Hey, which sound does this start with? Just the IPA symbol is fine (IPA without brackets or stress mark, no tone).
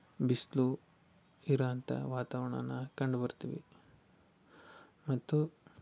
b